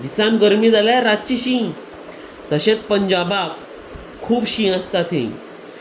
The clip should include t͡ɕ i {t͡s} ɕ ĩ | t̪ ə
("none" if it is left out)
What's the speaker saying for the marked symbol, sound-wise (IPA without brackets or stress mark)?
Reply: none